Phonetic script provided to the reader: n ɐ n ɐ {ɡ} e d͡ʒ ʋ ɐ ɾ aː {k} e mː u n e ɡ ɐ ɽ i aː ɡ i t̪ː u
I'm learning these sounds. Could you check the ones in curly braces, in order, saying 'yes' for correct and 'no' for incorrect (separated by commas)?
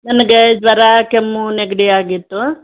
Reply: yes, yes